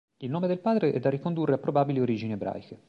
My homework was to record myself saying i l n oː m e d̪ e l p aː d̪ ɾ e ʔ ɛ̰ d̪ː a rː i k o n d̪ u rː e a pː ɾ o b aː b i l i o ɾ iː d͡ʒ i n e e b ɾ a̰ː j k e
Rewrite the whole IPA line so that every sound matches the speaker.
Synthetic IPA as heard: i l n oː m e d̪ e l p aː d̪ ɾ e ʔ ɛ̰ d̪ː a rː i k o n d̪ u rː e a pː ɾ o b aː b i l i o ɾ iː d͡ʒ i n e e b ɾ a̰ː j k e

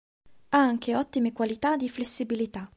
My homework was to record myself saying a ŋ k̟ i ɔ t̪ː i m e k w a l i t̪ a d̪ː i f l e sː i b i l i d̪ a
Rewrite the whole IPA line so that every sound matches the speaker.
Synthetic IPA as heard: a ŋ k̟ e ɔ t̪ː i m e k w a l i t̪ a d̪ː i f l e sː i b i l i t̪ a

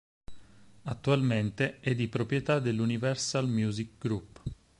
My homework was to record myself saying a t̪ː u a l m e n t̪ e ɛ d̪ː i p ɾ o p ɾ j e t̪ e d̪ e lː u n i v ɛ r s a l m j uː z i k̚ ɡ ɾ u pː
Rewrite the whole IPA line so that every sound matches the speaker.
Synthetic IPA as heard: a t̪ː u a l m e n t̪ e ɛ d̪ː i p ɾ o p ɾ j e t̪ a d̪ e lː u n i v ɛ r s a l m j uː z i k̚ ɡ ɾ u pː

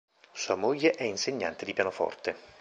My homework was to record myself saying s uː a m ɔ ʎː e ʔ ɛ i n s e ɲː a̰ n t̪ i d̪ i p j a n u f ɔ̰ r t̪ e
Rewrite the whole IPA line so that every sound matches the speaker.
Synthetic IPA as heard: s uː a m o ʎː e ʔ ɛ i n s e ɲː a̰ n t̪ e d̪ i p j a n o f ɔ̰ r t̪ e

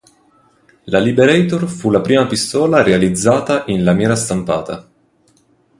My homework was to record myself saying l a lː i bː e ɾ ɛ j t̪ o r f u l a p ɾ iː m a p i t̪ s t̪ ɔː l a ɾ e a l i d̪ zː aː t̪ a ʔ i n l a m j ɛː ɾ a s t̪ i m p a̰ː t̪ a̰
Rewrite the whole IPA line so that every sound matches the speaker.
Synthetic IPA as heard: l a l i b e ɾ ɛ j t̪ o r f u l a p ɾ iː m a p i s t̪ ɔː l a ɾ e a l i d̪ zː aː t̪ a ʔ i n l a m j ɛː ɾ a s t̪ a m p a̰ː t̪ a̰

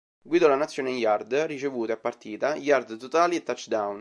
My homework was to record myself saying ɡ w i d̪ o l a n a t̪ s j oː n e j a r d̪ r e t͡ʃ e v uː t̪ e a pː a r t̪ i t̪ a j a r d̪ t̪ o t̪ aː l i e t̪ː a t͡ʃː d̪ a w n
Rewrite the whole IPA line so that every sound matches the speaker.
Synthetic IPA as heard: ɡ w i d̪ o l a n a t̪ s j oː n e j a r d̪ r i t͡ʃ e v uː t̪ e a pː a r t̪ iː t̪ a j a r d̪ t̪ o t̪ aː l i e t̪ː a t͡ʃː d̪ a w n

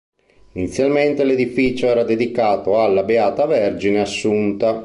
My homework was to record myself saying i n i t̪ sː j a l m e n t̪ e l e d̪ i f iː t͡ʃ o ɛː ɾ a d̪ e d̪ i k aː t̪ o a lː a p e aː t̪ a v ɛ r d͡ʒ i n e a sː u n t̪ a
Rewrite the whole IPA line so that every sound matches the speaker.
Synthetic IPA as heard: i n i t̪ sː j a l m e n t̪ e l e d̪ i f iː t͡ʃ o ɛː ɾ a d̪ e d̪ i k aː t̪ o a lː a b e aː t̪ a v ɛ r d͡ʒ i n e a sː u n t̪ a

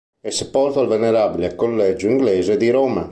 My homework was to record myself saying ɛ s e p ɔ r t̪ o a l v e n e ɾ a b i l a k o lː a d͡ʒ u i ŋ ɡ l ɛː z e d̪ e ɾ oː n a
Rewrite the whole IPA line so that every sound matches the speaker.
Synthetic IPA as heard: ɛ s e p ɔ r t̪ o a l v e n e ɾ a b i l e k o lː ɛ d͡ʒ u i ŋ ɡ l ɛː z e d̪ i ɾ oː m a

